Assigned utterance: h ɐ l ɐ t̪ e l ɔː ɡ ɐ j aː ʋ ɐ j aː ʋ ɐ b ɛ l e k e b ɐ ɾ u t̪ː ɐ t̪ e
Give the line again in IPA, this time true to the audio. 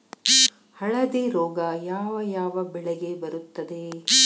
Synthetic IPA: h ɐ ɭ ɐ d̪ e ɾ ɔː ɡ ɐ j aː ʋ ɐ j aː ʋ ɐ b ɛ ɭ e ɡ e b ɐ ɾ u t̪ː ɐ d̪ e